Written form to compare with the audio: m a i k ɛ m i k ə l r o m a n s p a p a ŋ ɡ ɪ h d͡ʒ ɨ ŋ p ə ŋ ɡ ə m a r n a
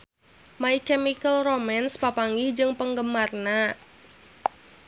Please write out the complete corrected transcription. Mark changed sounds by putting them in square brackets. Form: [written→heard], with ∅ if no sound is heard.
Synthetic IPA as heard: m a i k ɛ m i k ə l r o m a n s p a p a ŋ ɡ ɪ h d͡ʒ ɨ ŋ p ə ŋ ɡ ə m a r n a